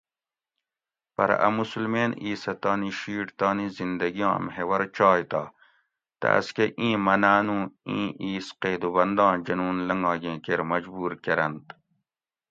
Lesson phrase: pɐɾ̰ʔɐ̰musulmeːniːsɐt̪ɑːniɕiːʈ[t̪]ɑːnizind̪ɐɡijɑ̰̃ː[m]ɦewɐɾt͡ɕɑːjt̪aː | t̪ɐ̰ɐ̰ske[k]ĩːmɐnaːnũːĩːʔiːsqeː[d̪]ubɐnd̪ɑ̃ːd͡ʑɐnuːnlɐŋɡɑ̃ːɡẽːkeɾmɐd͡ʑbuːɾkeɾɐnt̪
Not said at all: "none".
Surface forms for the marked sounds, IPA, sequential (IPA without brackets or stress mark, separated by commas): t̪, m, ʔ, d̪